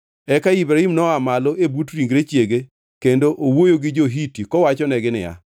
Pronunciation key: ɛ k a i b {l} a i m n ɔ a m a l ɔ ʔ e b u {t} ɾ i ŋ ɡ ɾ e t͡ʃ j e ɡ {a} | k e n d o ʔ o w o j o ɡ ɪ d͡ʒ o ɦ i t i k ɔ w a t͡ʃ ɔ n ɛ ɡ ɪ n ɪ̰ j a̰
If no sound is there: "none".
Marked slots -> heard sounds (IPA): ɾ, t, e

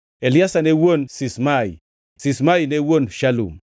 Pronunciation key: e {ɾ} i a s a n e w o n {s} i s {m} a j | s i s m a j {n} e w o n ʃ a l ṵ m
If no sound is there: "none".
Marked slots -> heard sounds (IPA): l, s, m, n

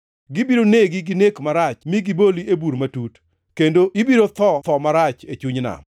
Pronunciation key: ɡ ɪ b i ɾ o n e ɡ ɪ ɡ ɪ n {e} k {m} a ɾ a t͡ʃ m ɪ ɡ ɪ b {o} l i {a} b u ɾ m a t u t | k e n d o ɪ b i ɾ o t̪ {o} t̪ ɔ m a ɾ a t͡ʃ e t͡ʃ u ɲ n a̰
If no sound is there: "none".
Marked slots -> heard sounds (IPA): e, m, o, e, ɔ

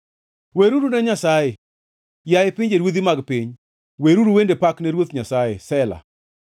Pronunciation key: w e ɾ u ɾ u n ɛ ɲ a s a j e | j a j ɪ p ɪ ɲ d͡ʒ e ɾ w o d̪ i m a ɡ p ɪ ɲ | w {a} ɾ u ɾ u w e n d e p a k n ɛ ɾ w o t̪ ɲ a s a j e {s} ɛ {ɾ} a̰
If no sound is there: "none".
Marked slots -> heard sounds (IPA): e, s, l

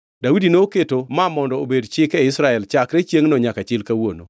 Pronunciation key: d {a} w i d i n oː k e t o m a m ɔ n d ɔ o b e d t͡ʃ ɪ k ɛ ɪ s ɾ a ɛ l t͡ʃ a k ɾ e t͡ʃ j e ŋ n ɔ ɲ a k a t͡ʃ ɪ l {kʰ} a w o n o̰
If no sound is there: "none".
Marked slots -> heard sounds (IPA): a, k

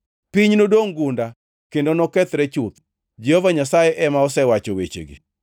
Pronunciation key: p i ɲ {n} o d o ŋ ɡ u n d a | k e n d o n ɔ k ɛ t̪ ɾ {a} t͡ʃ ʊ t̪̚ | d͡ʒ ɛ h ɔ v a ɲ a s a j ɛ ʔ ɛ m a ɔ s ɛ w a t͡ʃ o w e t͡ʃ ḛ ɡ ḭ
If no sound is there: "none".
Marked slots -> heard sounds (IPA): n, ɛ

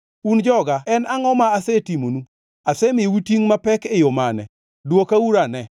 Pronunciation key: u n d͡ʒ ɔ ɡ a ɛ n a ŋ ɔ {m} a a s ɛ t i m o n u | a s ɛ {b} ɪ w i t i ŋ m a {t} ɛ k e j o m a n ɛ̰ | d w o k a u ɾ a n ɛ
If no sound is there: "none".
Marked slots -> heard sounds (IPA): m, m, p

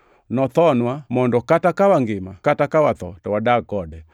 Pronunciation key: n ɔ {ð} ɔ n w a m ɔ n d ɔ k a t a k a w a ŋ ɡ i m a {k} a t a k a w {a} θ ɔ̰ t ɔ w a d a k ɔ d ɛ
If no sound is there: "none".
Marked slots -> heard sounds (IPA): θ, k, a

